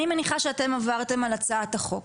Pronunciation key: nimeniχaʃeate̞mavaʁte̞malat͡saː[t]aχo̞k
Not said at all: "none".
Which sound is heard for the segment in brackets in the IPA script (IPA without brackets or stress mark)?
t